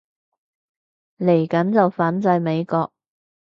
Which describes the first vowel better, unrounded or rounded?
unrounded